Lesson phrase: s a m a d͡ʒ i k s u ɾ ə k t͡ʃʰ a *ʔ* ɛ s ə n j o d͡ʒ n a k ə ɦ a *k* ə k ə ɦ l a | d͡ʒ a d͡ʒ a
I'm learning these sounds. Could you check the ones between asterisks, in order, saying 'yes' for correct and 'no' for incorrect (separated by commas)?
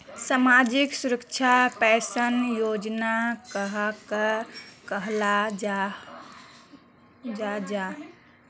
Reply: no, yes